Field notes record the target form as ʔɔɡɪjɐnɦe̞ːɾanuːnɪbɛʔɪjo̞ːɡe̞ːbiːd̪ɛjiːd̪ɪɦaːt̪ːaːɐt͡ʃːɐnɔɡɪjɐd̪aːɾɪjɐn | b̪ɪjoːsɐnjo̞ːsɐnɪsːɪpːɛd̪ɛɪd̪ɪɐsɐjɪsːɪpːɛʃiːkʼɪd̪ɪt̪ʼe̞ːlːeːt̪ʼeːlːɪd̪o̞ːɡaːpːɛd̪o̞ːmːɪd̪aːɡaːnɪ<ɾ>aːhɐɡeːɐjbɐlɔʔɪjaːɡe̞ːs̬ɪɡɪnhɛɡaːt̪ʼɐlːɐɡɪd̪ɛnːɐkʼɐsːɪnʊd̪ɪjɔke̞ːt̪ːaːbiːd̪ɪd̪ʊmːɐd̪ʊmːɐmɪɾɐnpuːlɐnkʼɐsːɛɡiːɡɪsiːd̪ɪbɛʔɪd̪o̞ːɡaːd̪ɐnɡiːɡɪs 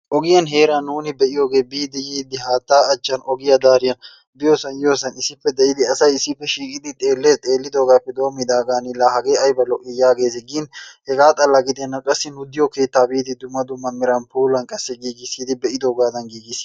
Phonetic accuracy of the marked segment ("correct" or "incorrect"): incorrect